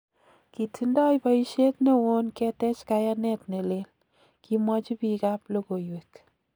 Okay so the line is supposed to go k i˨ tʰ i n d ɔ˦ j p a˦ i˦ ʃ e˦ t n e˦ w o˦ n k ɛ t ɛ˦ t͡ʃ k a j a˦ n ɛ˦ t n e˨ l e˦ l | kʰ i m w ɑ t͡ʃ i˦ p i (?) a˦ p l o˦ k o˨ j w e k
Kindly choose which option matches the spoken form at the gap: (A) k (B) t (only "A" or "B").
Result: A